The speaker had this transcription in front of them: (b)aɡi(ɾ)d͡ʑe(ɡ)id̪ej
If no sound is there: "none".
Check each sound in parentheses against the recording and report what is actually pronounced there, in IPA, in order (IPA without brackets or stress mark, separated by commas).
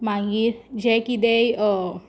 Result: m, ɾ, k